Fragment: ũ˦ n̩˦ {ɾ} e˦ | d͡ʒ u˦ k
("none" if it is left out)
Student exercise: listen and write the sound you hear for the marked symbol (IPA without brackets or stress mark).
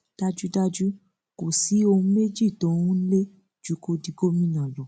l